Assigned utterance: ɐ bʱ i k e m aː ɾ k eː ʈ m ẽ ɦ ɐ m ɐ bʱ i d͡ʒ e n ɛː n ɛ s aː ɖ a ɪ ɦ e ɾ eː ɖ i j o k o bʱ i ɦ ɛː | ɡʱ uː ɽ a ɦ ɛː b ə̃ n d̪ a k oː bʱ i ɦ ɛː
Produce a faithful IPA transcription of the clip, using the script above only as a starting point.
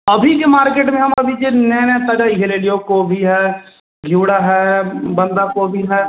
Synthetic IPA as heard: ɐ bʱ i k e m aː ɾ k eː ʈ m ẽ ɦ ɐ m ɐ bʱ i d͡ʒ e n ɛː n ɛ s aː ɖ a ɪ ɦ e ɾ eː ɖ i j o k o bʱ i ɦ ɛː | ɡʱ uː ɽ a ɦ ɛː b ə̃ n d̪ a k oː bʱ i ɦ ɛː